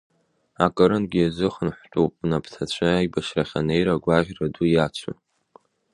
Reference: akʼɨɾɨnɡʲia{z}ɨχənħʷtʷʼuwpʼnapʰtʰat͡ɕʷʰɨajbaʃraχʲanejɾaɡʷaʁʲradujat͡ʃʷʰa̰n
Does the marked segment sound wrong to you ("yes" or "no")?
no